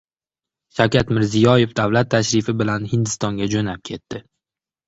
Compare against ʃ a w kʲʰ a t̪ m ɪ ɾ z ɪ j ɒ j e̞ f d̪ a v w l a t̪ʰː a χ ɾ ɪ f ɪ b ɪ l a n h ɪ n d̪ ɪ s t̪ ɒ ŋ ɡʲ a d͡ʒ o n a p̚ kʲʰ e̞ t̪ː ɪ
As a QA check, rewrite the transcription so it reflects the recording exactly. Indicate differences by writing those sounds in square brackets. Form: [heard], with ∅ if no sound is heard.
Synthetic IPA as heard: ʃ a w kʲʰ a t̪ m ɪ ɾ z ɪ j ɒ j e̞ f d̪ a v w l a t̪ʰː a [ʃ] ɾ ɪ f ɪ b ɪ l a n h ɪ n d̪ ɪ s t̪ ɒ ŋ ɡʲ a d͡ʒ o n a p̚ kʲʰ e̞ t̪ː ɪ